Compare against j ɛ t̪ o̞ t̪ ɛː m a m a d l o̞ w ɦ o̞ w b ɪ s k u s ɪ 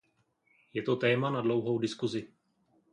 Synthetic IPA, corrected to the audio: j ɛ t̪ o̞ t̪ ɛː m a n a d l o̞ w ɦ o̞ w d ɪ s k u z ɪ